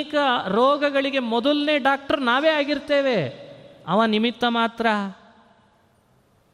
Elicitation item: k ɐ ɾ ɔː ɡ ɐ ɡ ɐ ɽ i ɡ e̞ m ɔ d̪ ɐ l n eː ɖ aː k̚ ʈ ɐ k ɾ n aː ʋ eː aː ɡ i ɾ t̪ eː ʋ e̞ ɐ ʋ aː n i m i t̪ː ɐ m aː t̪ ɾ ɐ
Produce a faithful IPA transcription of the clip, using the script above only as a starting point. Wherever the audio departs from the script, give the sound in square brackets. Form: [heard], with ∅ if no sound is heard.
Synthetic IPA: k ɐ ɾ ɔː ɡ ɐ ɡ ɐ [ɭ] i ɡ e̞ m ɔ d̪ ɐ l n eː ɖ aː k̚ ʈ ɐ [∅] ɾ n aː ʋ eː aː ɡ i ɾ t̪ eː ʋ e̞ ɐ ʋ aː n i m i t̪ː ɐ m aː t̪ ɾ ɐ